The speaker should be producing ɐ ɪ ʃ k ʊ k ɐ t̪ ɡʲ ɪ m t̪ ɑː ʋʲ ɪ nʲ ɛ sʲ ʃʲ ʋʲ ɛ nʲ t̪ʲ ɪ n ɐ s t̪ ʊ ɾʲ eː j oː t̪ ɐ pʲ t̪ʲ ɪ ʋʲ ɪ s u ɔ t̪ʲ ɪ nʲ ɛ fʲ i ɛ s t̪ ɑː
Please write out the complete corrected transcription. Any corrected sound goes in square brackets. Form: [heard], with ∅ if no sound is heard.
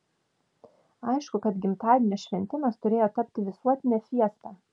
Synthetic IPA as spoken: ɐ ɪ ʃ k ʊ k ɐ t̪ ɡʲ ɪ m t̪ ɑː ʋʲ ɪ nʲ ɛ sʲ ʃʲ ʋʲ ɛ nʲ t̪ʲ ɪ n ɐ s t̪ ʊ ɾʲ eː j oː t̪ ɐ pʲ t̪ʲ ɪ ʋʲ ɪ s u ɔ t̪ʲ ɪ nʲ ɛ fʲ i ɛ s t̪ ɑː